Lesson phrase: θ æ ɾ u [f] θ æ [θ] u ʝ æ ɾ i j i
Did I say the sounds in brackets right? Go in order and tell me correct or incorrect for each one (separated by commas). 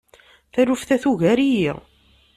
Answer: correct, correct